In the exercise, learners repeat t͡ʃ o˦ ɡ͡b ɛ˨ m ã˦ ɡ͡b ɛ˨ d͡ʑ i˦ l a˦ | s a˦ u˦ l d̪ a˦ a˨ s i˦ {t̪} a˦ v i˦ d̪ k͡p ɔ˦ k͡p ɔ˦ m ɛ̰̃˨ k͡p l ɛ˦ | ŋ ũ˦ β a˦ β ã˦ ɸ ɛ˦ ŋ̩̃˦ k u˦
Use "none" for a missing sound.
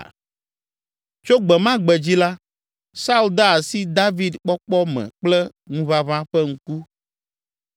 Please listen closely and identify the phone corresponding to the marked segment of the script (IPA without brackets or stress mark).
d̪